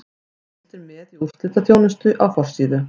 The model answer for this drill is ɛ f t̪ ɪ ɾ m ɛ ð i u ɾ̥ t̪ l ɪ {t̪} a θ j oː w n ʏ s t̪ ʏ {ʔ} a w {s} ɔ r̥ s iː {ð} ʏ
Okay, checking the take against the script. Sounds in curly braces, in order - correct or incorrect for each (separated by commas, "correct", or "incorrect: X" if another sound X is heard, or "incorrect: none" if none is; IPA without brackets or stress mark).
correct, correct, incorrect: f, correct